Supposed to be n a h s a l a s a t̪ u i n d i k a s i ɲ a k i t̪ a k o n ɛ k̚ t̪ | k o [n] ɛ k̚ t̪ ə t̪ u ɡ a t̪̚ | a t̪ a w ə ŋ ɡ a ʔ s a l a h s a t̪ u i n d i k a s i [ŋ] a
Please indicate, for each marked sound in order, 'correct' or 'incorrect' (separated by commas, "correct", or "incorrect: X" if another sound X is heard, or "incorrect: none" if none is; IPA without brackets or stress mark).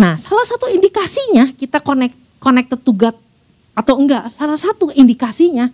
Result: correct, incorrect: ɲ